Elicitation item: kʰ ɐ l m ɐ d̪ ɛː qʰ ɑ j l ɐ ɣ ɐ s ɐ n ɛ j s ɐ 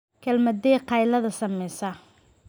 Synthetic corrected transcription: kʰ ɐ l m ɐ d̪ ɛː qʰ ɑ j l ɐ ð ɐ s ɐ m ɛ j s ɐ